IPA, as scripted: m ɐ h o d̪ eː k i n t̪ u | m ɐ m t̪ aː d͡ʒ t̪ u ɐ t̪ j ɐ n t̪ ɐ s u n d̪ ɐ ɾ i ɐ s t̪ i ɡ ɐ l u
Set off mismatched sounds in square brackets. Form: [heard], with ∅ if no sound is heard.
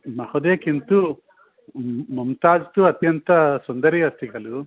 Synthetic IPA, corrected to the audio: m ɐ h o d̪ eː k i n t̪ u | m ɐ m t̪ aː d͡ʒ t̪ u ɐ t̪ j ɐ n t̪ ɐ s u n d̪ ɐ ɾ i ɐ s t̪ i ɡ ɐ l u